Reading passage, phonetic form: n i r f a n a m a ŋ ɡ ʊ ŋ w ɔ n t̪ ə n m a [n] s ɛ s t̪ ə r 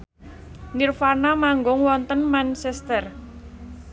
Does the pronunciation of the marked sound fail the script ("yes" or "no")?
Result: no